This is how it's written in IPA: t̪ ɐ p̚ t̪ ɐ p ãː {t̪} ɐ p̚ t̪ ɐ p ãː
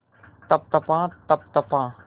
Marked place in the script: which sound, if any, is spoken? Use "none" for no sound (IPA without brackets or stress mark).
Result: t̪